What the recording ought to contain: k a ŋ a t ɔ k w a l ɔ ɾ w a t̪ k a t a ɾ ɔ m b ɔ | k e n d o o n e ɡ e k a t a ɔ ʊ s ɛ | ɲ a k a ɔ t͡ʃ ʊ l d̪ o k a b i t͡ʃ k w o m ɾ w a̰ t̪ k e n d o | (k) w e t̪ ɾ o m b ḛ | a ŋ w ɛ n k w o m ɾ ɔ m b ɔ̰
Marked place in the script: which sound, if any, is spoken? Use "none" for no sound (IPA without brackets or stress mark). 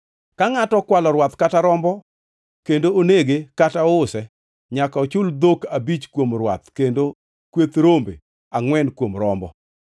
k